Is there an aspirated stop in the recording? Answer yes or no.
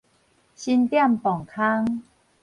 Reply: yes